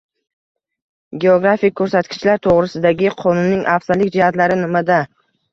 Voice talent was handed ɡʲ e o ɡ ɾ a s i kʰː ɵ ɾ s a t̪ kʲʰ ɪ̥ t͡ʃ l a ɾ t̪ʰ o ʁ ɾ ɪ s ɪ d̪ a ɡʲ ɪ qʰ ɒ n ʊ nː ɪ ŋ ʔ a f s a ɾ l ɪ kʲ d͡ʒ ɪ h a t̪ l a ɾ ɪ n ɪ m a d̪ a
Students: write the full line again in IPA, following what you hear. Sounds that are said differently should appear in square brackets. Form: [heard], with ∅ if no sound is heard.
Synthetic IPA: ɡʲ e o ɡ ɾ a [f] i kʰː ɵ ɾ s a t̪ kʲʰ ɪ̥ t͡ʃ l a ɾ t̪ʰ o ʁ ɾ ɪ s ɪ d̪ a ɡʲ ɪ qʰ ɒ n ʊ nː ɪ ŋ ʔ a f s a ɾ l ɪ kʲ d͡ʒ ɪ h a t̪ l a ɾ ɪ n ɪ m a d̪ a